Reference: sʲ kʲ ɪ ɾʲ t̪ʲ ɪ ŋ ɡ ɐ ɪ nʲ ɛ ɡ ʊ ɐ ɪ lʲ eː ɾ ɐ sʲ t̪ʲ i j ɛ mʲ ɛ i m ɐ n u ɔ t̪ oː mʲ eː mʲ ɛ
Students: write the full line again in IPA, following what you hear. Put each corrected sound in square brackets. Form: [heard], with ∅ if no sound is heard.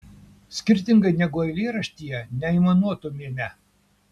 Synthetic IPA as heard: sʲ kʲ ɪ ɾʲ t̪ʲ ɪ ŋ ɡ ɐ ɪ nʲ ɛ ɡ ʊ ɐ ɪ lʲ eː ɾ ɐ [ʃʲ] t̪ʲ i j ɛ [nʲ] ɛ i m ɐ n u ɔ t̪ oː mʲ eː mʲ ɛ